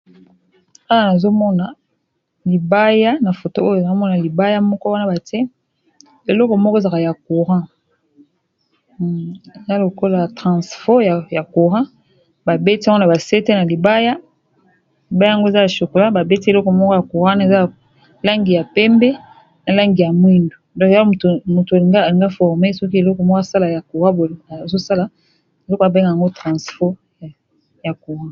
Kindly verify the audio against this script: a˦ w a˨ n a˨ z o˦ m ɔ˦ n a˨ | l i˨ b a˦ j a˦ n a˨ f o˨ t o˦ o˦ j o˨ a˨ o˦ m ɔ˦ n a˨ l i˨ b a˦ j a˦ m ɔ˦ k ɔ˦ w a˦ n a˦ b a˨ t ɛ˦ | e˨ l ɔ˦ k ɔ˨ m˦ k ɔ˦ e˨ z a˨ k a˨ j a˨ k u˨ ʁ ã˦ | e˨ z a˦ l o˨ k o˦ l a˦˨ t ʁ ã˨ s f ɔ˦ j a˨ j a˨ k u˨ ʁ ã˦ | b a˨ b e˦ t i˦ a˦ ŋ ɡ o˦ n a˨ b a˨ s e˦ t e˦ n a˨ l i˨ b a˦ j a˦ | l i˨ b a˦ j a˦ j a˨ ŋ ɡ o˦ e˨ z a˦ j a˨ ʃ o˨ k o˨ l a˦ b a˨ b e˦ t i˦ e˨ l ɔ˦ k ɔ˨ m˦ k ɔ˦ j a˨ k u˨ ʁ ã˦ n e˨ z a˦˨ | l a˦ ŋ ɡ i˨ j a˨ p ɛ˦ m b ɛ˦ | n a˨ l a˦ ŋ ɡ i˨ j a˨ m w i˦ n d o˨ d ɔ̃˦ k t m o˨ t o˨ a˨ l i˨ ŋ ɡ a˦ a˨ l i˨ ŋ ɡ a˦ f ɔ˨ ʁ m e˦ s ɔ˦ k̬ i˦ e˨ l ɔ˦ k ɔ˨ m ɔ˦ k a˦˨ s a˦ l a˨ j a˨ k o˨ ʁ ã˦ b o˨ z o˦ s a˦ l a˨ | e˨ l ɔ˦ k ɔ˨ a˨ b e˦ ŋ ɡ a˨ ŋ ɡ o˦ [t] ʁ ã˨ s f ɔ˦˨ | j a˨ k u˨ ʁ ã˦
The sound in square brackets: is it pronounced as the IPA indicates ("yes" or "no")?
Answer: yes